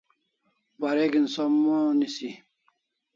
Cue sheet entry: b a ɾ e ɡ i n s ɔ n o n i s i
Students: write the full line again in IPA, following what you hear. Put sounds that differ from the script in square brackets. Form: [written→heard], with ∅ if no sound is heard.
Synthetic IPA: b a ɾ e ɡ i n s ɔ [n→m] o n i s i

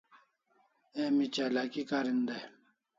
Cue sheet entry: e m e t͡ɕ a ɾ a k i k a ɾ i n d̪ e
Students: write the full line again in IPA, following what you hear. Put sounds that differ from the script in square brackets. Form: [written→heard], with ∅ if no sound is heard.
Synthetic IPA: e m [e→i] t͡ɕ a [ɾ→l] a k i k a ɾ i n d̪ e

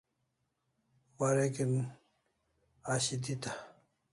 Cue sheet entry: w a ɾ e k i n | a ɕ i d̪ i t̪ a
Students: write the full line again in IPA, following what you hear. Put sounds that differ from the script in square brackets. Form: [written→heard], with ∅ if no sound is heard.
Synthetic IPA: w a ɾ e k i n | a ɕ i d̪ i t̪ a

